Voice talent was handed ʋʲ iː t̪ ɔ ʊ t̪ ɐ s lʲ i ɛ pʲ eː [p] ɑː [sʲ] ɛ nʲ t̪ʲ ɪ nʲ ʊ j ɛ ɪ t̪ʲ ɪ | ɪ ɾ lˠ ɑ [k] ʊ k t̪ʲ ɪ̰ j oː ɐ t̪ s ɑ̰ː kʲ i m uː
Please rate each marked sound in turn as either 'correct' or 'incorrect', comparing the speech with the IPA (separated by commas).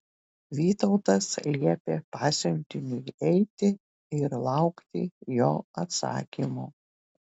correct, correct, incorrect